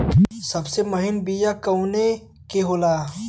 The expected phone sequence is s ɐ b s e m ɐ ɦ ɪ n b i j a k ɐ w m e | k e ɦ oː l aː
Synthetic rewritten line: s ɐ b s e m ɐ ɦ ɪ n b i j a k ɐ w n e | k e ɦ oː l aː